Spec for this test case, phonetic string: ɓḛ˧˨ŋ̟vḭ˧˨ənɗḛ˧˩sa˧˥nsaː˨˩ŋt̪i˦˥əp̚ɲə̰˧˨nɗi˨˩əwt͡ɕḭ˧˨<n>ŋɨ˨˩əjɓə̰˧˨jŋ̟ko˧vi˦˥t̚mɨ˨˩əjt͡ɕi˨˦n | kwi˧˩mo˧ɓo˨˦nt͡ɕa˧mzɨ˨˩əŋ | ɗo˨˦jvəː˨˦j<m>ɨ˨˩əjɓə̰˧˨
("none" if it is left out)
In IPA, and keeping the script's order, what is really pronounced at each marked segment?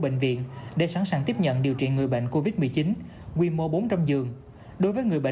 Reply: n, ŋ

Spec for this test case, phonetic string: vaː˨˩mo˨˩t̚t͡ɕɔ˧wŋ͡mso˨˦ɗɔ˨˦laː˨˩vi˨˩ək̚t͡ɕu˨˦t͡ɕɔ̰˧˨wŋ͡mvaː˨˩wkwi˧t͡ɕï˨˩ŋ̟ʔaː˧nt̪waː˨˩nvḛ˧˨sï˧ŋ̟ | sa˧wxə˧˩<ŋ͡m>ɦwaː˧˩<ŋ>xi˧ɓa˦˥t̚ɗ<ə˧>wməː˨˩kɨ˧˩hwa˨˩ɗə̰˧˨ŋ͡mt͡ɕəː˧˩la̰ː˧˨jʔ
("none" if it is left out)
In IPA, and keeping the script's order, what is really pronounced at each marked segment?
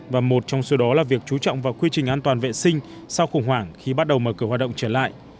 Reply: ŋ͡m, ŋ, ə˨˩

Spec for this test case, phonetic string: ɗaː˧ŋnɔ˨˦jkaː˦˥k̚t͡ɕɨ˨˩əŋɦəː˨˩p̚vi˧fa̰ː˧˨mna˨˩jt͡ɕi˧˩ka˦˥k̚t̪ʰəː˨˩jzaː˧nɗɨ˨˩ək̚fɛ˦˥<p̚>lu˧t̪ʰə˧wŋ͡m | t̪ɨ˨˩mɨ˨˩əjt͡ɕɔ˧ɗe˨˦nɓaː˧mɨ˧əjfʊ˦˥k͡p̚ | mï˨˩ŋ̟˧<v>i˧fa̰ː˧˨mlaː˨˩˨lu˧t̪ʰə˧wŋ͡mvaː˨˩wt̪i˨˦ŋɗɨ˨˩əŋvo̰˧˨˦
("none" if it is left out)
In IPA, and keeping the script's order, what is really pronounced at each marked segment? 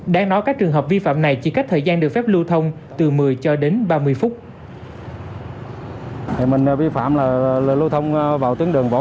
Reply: p̚, v

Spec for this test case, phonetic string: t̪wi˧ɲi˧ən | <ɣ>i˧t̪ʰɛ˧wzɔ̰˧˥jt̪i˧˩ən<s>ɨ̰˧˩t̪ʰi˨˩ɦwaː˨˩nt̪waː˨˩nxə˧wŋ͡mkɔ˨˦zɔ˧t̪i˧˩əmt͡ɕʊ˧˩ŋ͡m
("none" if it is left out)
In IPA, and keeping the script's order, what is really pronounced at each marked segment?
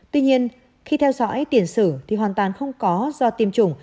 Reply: x, s

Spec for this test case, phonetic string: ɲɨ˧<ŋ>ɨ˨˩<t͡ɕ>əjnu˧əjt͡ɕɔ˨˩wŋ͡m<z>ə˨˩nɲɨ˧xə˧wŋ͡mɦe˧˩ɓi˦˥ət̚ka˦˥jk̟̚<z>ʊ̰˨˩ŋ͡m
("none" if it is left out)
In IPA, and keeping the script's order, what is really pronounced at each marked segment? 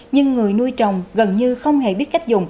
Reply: ŋː, none, ɣ, z

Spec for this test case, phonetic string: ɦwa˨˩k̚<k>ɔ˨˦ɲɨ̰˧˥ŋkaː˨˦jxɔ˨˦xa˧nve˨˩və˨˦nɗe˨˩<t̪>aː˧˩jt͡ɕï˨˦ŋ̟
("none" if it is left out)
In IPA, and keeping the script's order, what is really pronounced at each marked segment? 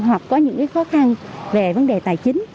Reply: k, t̪

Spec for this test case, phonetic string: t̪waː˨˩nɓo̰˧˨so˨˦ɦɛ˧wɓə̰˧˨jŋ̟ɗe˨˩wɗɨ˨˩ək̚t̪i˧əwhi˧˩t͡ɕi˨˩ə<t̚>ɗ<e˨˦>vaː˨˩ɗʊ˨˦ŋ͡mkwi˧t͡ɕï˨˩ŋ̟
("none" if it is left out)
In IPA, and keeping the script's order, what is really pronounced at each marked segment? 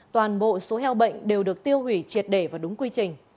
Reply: t̚, e˧˩

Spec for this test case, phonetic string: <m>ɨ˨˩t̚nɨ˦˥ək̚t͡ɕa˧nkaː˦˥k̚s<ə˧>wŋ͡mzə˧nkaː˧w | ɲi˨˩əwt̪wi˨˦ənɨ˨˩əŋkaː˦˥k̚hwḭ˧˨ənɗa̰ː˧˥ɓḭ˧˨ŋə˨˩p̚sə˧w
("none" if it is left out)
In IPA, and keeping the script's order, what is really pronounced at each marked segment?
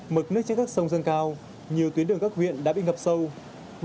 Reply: m, ə˧

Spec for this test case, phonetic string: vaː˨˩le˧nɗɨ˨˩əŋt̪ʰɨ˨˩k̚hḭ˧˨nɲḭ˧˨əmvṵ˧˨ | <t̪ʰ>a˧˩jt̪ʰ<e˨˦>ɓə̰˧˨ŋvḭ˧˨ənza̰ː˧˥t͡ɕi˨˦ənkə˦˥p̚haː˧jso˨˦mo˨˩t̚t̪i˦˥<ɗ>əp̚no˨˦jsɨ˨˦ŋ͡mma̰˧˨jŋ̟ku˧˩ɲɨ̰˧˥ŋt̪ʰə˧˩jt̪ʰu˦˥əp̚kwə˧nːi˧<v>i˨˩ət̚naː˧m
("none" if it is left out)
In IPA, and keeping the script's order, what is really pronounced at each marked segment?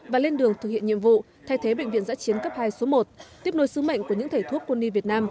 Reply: t̪ʰ, e˨˦, none, v

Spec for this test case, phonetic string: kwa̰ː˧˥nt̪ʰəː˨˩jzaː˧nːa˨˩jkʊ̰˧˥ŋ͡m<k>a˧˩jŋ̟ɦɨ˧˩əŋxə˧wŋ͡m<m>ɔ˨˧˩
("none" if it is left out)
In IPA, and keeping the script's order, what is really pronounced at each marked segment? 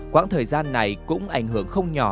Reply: ʔ, ɲ

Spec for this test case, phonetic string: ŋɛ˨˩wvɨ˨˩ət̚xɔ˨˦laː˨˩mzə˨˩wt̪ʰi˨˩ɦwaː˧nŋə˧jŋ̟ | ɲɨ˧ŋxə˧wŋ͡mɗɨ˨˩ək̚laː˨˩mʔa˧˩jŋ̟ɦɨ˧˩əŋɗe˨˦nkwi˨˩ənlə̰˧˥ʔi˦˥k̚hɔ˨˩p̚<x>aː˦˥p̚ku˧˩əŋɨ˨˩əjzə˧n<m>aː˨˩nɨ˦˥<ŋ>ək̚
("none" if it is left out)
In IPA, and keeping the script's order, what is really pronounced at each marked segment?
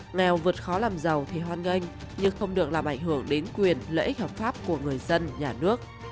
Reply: f, ɲ, none

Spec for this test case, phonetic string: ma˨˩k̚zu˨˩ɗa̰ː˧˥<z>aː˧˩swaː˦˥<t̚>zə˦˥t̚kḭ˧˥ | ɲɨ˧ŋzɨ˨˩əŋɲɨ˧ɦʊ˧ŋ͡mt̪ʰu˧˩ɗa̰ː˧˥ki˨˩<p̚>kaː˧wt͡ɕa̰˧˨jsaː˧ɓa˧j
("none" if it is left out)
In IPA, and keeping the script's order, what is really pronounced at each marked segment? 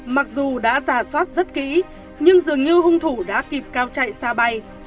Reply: z, t̚, p̚

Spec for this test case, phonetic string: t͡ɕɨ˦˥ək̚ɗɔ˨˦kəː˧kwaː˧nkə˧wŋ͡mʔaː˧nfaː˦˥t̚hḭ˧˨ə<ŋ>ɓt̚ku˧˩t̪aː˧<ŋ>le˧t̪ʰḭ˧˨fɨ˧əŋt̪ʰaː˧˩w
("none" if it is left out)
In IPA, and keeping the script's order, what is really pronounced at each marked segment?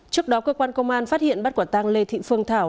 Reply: n, ŋ

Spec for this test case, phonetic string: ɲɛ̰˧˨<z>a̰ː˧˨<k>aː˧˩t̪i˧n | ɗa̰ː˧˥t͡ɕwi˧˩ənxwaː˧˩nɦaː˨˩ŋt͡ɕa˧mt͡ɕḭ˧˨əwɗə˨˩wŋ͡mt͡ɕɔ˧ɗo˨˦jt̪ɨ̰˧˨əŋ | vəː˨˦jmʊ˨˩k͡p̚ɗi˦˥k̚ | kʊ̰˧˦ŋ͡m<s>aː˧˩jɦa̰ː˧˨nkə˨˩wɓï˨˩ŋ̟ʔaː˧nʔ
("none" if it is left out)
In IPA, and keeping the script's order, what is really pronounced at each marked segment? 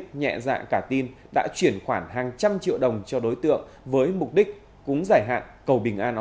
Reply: z, k, z

